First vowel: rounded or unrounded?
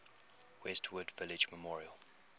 unrounded